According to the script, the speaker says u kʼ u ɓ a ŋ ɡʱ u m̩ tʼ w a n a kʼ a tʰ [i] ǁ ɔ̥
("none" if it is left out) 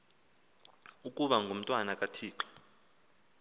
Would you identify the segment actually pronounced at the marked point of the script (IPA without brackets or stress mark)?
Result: iː